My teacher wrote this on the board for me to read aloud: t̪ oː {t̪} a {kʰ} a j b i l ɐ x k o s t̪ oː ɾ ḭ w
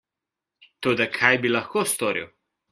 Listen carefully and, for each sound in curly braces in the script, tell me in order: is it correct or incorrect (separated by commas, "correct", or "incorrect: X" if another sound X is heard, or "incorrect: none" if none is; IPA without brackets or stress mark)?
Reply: incorrect: d̪, correct